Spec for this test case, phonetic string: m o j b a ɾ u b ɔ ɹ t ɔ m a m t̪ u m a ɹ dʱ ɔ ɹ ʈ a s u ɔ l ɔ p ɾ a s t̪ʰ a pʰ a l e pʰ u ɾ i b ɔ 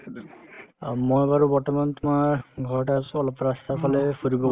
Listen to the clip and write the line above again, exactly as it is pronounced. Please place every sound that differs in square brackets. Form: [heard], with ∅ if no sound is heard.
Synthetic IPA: m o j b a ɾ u b ɔ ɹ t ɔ m a [n] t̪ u m a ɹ [ɡʱ] ɔ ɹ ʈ a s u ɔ l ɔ p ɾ a s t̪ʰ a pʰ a l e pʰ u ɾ i b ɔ